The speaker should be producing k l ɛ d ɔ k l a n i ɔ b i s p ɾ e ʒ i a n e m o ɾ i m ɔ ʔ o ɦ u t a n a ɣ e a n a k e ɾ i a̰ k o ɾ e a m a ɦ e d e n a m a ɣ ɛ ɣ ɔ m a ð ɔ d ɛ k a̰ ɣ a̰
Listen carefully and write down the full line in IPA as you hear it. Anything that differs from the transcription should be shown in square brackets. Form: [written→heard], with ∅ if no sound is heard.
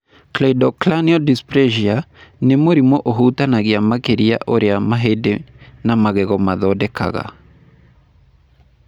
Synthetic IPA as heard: k l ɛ d ɔ k l a n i ɔ [b→d] i s p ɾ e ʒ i a n e m o ɾ i m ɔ ʔ o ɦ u t a n a ɣ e a [n→m] a k e ɾ i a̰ [k→ʔ] o ɾ e a m a ɦ e d e n a m a ɣ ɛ ɣ ɔ m a ð ɔ d ɛ k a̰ ɣ a̰